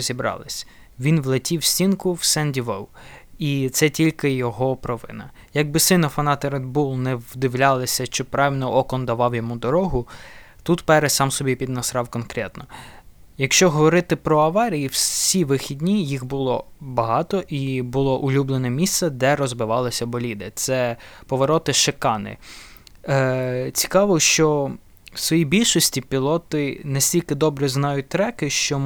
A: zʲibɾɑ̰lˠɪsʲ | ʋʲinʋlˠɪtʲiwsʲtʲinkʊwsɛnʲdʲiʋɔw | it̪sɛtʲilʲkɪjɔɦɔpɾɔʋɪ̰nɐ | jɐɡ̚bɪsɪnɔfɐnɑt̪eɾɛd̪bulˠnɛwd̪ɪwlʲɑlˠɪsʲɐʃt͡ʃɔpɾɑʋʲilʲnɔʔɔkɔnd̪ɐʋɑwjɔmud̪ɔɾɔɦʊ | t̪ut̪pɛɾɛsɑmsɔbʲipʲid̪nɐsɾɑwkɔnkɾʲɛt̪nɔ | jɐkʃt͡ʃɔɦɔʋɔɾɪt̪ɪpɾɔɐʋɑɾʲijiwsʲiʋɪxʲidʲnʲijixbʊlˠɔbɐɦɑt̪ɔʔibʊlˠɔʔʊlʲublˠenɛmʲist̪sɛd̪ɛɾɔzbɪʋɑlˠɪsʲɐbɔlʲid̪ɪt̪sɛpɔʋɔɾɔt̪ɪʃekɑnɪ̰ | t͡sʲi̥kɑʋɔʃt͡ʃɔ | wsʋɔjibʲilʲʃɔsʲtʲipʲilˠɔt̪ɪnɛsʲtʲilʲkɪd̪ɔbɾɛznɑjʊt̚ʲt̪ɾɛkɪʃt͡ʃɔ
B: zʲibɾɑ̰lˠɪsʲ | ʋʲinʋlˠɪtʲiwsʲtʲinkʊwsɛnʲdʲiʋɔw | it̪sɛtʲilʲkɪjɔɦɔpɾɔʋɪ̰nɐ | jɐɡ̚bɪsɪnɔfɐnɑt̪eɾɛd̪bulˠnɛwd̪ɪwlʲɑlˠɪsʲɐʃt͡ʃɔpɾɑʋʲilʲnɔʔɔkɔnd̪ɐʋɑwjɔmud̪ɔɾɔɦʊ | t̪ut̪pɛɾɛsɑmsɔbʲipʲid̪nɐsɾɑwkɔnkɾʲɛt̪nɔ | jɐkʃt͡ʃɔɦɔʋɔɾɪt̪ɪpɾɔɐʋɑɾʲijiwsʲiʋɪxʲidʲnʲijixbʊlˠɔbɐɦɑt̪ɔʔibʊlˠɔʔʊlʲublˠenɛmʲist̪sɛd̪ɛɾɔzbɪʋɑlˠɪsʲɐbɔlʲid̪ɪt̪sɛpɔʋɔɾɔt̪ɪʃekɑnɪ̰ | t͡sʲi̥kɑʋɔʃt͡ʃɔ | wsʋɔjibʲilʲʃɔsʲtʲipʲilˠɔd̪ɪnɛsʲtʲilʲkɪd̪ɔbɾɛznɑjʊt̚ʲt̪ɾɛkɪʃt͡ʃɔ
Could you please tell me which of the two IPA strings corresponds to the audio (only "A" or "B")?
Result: A